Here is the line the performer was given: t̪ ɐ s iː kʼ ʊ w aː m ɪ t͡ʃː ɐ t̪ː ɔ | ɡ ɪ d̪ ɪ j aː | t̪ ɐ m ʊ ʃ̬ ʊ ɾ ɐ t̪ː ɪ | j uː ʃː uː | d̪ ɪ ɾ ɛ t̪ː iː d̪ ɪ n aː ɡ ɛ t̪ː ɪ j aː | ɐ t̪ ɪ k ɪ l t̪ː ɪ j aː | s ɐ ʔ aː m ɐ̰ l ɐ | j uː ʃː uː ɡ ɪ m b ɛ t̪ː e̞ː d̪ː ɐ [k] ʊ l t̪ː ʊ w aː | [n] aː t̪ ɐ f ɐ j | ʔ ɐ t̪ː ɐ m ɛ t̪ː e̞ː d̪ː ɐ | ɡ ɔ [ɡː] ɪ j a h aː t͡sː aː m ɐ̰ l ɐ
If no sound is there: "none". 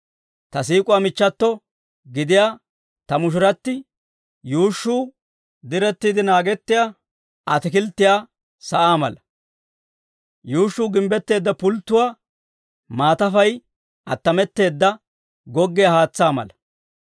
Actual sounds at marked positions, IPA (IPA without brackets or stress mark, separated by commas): p, m, ɡː